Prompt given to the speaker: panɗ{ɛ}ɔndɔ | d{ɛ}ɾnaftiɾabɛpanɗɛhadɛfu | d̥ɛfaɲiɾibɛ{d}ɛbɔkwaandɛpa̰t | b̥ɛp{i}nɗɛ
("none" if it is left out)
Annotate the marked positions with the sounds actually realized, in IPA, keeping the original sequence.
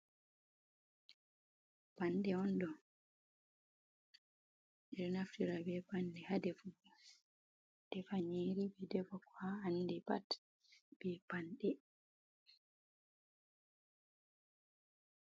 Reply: ɛ, ɛ, d, a

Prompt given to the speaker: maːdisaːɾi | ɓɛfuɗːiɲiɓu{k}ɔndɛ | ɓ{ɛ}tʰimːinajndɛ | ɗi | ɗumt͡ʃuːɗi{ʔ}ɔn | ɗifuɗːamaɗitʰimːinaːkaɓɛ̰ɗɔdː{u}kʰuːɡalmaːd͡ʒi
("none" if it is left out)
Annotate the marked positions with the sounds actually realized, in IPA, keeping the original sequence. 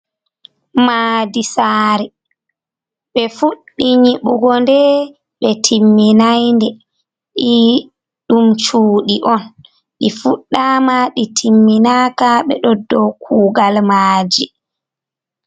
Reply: ɡ, ɛ, ʔ, ɔ

